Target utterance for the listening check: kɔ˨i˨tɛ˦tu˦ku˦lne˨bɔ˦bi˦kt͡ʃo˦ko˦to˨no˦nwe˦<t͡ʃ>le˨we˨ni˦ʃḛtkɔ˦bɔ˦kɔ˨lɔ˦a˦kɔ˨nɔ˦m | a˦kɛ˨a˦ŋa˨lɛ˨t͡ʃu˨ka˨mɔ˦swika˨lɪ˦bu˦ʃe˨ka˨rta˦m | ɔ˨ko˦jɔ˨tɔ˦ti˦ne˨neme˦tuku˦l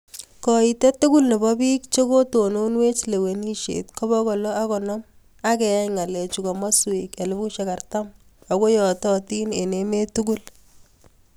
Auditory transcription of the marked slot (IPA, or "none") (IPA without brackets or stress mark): t͡ʃ